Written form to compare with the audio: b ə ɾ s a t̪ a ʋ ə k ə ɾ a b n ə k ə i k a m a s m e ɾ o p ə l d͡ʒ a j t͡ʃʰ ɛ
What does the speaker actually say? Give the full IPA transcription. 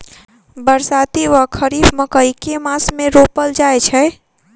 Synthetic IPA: b ə ɾ s a t̪ i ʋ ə kʰ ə ɾ i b m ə k ə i k e m a s m e ɾ o p ə l d͡ʒ a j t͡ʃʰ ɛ